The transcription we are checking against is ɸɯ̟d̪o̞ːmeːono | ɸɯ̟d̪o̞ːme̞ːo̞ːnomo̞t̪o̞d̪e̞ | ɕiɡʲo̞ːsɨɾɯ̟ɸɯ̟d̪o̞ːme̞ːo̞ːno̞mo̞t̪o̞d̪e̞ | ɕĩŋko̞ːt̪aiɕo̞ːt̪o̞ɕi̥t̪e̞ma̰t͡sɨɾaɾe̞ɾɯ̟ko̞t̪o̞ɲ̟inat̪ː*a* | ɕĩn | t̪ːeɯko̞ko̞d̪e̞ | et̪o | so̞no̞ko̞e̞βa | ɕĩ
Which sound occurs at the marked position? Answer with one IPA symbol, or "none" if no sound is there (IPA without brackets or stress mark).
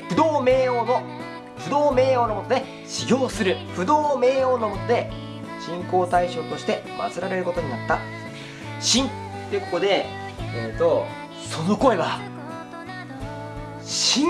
a